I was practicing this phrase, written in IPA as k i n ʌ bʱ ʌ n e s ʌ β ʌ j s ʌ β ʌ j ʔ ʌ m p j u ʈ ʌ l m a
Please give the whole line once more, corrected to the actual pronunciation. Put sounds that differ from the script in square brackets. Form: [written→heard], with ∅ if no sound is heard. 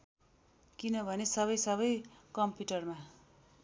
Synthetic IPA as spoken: k i n ʌ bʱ ʌ n e s ʌ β ʌ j s ʌ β ʌ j [ʔ→k] ʌ m p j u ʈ ʌ [l→r] m a